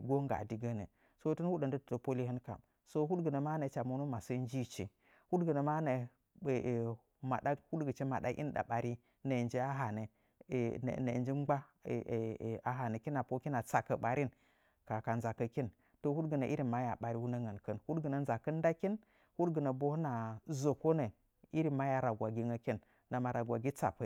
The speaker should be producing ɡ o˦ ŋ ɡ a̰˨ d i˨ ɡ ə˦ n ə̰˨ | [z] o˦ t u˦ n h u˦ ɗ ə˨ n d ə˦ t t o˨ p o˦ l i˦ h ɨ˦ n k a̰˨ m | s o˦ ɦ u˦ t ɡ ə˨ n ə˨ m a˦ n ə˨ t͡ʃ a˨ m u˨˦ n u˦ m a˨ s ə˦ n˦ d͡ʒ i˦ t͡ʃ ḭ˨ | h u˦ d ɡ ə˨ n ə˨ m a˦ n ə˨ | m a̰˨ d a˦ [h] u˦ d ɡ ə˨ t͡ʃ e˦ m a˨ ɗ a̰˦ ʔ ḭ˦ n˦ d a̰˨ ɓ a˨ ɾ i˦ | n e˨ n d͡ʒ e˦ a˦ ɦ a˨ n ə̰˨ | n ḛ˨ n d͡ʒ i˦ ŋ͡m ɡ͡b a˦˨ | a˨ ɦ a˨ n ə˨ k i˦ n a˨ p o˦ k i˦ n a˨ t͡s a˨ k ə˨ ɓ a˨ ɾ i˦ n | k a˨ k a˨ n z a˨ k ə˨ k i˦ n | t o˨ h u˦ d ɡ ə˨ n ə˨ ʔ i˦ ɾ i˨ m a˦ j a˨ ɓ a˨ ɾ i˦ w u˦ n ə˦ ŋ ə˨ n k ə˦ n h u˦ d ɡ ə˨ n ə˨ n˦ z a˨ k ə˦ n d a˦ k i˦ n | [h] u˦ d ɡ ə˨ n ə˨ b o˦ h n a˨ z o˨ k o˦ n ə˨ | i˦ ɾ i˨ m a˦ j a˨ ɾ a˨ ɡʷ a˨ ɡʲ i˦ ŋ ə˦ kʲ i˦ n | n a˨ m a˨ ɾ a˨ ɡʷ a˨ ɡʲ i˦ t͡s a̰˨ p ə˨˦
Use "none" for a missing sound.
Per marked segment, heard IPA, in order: s, h, h

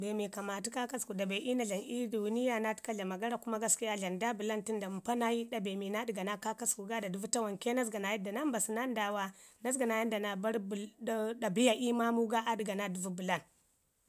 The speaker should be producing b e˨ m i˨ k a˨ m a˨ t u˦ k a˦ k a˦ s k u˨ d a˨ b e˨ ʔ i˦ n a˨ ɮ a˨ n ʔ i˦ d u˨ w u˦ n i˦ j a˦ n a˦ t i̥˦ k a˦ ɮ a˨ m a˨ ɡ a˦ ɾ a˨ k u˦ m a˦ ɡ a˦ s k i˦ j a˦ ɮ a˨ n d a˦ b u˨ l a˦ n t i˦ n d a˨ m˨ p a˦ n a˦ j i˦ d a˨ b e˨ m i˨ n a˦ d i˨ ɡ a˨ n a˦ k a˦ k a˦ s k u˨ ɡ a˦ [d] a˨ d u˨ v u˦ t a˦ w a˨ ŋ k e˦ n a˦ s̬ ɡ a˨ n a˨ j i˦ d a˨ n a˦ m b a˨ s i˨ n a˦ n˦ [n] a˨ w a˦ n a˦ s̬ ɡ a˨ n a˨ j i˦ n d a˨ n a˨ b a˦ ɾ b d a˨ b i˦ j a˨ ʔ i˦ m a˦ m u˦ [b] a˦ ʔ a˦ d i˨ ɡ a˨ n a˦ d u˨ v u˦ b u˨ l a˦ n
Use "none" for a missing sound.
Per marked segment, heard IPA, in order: d, d, ɡ

